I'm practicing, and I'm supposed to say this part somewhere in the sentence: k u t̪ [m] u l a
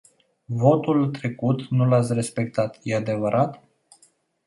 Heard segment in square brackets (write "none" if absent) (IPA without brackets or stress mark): n